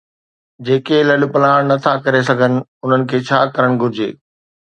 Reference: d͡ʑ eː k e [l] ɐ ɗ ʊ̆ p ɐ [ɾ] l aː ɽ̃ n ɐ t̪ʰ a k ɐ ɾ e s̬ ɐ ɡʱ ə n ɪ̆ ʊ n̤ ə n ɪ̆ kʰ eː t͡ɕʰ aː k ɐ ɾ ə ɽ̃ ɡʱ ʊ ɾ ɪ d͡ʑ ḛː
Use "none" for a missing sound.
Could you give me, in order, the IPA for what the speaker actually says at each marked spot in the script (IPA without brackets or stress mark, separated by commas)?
l, none